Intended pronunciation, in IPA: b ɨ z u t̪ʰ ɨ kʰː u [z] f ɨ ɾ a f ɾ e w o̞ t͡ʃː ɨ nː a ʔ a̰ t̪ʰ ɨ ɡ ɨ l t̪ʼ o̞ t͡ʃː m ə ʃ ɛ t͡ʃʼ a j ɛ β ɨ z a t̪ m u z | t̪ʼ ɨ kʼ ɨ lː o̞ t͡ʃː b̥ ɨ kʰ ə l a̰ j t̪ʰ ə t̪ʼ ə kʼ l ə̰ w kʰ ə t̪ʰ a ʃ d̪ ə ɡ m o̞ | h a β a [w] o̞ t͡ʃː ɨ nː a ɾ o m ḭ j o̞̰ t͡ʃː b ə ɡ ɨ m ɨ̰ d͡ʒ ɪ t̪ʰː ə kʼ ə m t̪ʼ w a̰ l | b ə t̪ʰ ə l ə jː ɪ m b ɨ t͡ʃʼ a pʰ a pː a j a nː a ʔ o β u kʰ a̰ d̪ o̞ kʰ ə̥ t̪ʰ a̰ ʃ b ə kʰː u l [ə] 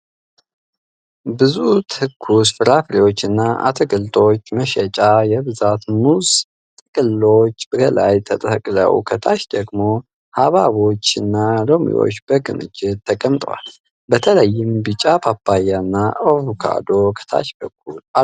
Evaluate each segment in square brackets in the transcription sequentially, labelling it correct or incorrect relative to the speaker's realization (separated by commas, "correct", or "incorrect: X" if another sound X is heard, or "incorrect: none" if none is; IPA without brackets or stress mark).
incorrect: s, incorrect: β, incorrect: a